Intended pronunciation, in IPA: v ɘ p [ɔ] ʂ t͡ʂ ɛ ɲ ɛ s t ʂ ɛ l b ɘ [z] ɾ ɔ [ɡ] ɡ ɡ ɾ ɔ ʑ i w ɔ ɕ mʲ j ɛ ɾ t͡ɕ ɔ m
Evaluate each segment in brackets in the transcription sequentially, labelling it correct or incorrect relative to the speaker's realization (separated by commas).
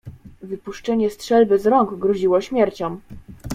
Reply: incorrect, correct, incorrect